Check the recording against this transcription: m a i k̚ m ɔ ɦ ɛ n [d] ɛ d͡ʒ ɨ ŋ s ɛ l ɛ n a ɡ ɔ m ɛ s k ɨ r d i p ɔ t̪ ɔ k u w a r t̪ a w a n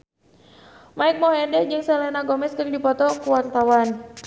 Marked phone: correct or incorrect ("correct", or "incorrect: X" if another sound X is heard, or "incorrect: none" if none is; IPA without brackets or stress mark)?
correct